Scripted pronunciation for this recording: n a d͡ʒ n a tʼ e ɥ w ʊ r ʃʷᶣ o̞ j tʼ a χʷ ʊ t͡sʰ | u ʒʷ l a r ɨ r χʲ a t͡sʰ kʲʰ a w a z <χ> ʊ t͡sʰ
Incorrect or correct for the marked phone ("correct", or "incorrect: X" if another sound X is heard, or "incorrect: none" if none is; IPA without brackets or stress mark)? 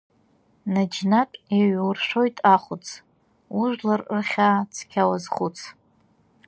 correct